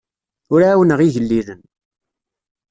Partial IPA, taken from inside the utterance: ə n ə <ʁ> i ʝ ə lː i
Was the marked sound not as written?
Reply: no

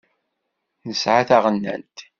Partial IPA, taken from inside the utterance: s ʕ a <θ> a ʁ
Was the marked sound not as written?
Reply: no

